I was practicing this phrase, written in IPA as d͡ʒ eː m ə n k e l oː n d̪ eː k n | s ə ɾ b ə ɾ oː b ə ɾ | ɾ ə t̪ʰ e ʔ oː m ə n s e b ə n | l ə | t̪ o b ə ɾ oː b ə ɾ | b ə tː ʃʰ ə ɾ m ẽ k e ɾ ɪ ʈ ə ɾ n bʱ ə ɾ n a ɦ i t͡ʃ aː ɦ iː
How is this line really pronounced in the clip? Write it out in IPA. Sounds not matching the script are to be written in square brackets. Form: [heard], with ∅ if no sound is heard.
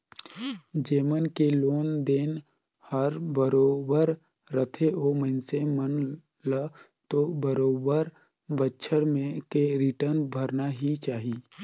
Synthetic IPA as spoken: d͡ʒ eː m ə n k e l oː n d̪ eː [∅] n | [h] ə ɾ b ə ɾ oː b ə ɾ | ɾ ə t̪ʰ e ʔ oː m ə n s e [m] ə n | l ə | t̪ o b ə ɾ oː b ə ɾ | b ə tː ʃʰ ə ɾ m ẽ k e ɾ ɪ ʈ ə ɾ n bʱ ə ɾ n a ɦ i t͡ʃ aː ɦ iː

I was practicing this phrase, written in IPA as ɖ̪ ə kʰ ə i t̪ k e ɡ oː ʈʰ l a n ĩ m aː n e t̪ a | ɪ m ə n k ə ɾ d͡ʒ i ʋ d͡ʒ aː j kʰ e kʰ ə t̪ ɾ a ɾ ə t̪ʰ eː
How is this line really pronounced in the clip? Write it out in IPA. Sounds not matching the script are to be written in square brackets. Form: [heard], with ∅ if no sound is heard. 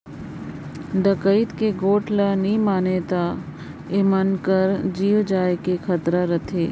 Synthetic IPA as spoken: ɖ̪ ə [k] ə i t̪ k e ɡ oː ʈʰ l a n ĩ m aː n e t̪ a | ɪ m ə n k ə ɾ d͡ʒ [iː] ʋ d͡ʒ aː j [k] e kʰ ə t̪ ɾ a ɾ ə t̪ʰ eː

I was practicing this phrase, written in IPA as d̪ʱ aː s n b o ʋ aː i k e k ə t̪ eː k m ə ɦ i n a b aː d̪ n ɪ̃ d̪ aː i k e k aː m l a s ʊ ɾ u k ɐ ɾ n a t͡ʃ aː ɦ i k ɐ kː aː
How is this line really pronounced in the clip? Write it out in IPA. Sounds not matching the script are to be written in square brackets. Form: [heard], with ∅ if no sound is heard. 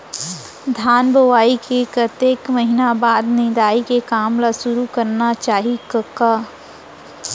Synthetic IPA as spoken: d̪ʱ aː [∅] n b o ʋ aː i k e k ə t̪ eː k m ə ɦ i n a b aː d̪ n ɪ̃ d̪ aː i k e k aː m l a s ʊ ɾ u k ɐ ɾ n a t͡ʃ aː ɦ i k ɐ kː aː

